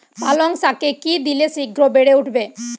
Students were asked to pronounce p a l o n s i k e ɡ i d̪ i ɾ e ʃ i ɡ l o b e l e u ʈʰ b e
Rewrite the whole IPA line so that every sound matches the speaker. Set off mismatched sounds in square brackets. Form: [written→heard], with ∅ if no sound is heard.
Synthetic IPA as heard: p a l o [n→ŋ] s [i→a] k e [ɡ→k] i d̪ i [ɾ→l] e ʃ i ɡ [l→ɾ] o b e [l→ɽ] e u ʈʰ b e